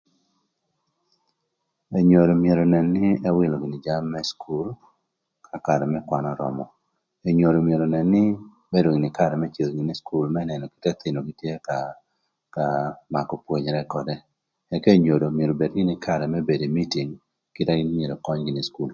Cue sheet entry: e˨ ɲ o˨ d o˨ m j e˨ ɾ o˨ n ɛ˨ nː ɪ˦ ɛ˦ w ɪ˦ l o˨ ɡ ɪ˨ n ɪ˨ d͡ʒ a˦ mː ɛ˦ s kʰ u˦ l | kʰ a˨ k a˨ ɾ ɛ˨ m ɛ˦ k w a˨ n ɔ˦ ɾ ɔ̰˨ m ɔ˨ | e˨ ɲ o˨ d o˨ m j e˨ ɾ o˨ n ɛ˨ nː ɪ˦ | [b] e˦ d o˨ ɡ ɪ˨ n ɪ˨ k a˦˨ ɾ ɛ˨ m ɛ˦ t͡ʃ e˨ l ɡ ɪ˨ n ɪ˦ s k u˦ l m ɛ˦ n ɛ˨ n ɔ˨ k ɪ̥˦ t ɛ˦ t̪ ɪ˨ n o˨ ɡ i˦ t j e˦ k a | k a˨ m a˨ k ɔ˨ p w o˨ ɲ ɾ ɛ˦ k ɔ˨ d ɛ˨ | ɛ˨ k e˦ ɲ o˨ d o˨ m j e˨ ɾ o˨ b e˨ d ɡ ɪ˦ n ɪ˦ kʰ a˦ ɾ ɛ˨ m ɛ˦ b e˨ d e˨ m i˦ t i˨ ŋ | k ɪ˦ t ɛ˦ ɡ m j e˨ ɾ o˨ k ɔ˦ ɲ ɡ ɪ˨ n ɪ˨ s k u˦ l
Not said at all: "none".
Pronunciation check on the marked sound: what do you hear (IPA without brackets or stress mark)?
b